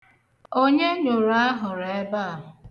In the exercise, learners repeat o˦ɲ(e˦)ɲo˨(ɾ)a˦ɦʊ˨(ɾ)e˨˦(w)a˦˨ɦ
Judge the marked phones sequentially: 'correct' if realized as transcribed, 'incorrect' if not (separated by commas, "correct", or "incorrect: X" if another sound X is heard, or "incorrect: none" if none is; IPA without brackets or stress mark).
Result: correct, correct, correct, incorrect: b